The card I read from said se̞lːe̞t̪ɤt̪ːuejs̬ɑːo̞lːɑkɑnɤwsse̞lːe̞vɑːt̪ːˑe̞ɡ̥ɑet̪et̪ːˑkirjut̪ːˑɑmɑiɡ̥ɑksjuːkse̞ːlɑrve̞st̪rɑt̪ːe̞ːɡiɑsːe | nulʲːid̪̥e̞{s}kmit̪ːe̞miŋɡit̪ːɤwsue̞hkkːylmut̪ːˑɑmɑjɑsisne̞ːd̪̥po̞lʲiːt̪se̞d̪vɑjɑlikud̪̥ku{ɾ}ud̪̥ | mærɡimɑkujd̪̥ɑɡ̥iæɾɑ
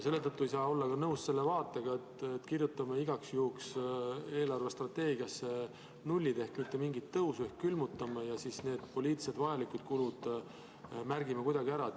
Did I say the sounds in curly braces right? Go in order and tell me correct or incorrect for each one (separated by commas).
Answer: incorrect, incorrect